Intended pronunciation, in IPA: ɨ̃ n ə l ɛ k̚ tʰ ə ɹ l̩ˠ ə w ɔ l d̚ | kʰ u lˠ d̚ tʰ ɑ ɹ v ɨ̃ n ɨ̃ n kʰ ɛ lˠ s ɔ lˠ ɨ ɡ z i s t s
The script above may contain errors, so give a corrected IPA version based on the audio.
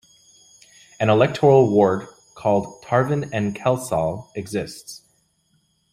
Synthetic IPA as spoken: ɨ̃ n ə l ɛ k̚ tʰ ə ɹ l̩ˠ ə w ɔ ɹ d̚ | kʰ ɔ lˠ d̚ tʰ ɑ ɹ v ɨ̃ n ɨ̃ n kʰ ɛ lˠ s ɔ lˠ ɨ ɡ z ɪ s t s